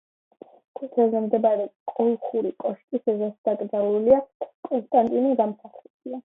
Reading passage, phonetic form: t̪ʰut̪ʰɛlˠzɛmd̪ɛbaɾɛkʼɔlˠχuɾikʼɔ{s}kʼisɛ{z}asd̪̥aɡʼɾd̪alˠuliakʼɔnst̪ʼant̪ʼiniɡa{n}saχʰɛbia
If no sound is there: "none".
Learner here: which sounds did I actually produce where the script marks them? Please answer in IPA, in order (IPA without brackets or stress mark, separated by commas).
ʃ, z, m